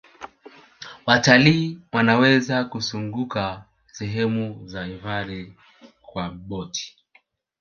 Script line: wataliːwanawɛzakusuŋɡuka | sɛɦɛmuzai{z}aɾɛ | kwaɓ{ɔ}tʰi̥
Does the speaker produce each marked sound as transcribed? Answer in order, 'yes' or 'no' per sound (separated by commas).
no, yes